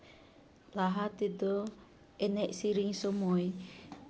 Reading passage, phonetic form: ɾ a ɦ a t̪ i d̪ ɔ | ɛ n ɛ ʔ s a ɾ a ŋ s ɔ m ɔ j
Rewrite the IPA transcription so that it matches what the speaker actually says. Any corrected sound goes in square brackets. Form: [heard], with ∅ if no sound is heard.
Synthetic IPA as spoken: [l] a ɦ a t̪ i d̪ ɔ | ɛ n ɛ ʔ s [i] ɾ [i] ŋ s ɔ m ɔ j